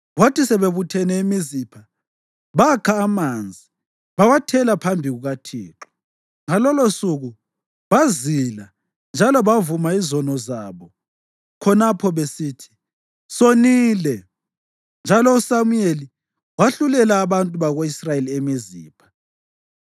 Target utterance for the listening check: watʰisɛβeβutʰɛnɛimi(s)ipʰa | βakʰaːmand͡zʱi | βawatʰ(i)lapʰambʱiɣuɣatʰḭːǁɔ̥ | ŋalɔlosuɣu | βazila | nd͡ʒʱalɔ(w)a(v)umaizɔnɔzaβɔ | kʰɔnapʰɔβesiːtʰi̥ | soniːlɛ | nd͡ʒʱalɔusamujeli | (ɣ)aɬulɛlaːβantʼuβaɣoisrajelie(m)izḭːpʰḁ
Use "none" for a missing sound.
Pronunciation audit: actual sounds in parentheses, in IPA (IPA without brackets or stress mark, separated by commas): z, ɛ, β, v, w, m